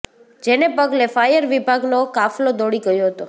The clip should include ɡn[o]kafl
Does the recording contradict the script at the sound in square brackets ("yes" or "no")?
no